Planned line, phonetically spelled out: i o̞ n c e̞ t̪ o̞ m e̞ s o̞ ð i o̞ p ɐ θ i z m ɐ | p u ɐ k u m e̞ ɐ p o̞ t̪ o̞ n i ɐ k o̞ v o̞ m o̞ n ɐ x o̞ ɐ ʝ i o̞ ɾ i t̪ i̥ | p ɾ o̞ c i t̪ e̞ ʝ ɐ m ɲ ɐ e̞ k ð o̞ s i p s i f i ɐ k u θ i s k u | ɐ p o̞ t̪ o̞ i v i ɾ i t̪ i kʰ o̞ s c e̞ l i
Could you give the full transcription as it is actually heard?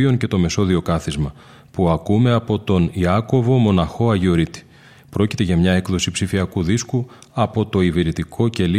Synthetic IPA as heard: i o̞ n c e̞ t̪ o̞ m e̞ s o̞ ð i o̞ k ɐ θ i z m ɐ | p u ɐ k u m e̞ ɐ p o̞ t̪ o̞ n i ɐ k o̞ v o̞ m o̞ n ɐ x o̞ ɐ ʝ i o̞ ɾ i t̪ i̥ | p ɾ o̞ c i t̪ e̞ ʝ ɐ m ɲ ɐ e̞ k ð o̞ s i p s i f i ɐ k u ð i s k u | ɐ p o̞ t̪ o̞ i v i ɾ i t̪ i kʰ o̞ c e̞ l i